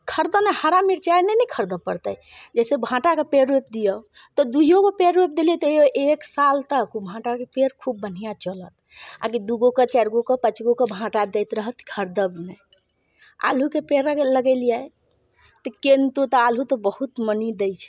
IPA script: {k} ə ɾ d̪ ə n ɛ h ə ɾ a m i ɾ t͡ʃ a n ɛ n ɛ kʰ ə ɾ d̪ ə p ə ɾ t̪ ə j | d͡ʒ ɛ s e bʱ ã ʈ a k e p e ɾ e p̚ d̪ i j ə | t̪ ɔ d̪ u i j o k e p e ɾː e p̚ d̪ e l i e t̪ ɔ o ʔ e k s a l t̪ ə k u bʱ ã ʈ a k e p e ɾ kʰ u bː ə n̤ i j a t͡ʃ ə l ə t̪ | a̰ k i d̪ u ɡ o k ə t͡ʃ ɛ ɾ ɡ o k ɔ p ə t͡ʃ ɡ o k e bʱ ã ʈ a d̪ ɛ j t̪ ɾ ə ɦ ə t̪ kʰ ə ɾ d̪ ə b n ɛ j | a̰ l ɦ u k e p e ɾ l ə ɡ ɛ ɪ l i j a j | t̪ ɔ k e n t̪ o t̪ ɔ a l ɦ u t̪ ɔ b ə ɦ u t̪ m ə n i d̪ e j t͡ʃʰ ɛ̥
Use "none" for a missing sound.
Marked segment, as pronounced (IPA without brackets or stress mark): kʰ